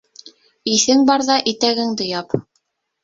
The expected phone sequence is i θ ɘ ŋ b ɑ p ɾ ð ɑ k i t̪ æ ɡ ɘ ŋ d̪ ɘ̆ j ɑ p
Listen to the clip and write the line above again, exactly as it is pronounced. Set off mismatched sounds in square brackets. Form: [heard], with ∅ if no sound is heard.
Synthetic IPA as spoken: i θ ɘ ŋ b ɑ [∅] ɾ ð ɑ [ʔ] i t̪ æ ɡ ɘ ŋ d̪ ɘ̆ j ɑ p